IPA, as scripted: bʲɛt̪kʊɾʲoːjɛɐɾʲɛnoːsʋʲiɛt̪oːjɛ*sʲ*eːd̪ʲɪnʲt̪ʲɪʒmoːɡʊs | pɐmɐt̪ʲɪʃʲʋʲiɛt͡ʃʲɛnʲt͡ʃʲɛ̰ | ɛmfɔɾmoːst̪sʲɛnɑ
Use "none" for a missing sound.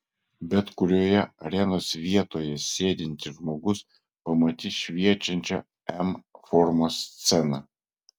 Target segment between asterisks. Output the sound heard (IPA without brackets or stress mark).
sʲ